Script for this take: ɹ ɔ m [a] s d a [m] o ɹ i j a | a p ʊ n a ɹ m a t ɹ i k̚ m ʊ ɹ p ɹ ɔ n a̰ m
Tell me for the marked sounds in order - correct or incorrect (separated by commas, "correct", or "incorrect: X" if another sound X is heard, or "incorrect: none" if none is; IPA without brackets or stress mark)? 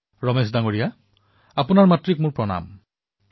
incorrect: e, incorrect: ŋ